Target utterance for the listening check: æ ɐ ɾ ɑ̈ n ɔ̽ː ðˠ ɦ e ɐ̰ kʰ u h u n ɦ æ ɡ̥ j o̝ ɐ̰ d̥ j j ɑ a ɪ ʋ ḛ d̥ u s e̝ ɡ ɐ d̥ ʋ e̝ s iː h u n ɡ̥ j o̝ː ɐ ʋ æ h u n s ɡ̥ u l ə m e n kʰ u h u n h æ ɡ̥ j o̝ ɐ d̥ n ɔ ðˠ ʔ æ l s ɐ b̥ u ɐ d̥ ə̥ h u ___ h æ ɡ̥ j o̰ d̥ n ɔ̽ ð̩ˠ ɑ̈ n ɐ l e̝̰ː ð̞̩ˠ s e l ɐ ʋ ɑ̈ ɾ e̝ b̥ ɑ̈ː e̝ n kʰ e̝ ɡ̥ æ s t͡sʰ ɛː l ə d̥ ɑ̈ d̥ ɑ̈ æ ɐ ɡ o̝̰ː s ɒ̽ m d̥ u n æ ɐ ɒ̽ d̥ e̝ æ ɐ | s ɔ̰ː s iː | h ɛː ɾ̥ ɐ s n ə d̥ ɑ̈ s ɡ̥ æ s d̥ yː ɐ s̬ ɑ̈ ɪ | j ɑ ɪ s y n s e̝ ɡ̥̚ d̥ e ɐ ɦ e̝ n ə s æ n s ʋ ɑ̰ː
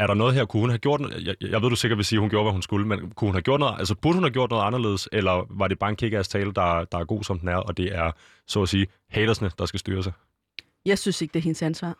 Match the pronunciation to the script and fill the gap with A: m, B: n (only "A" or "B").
B